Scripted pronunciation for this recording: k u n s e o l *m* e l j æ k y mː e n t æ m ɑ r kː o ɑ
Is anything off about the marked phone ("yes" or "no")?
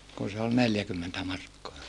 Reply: yes